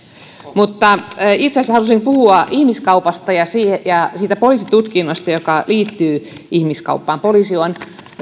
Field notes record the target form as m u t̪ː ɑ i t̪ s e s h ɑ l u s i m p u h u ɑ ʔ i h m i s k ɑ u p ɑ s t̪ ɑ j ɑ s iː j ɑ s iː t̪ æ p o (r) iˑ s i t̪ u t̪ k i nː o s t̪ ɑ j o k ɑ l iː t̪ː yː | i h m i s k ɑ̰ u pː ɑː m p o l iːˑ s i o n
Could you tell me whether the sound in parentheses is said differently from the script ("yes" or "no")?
yes